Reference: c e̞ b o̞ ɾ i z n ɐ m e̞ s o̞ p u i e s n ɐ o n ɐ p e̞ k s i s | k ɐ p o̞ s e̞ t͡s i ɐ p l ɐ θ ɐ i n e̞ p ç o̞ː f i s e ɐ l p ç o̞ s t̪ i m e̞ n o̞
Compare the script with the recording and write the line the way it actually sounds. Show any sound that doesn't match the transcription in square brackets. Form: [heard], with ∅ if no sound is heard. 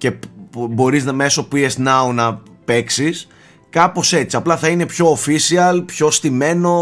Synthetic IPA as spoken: c e̞ b o̞ ɾ i z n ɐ m e̞ s o̞ p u i e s n ɐ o n ɐ p e̞ k s i s | k ɐ p o̞ s e̞ t͡s i ɐ p l ɐ θ ɐ i n e̞ p ç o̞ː f i s [i] ɐ l p ç o̞ s t̪ i m e̞ n o̞